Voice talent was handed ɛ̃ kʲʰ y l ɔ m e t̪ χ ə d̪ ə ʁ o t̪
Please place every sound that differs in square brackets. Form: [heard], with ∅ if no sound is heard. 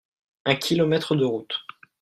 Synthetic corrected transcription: ɛ̃ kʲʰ [i] l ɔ m [ɛ] t̪ χ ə d̪ ə ʁ [u] t̪